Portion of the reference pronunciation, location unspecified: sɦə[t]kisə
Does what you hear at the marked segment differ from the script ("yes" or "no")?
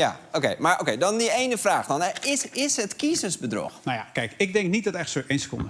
no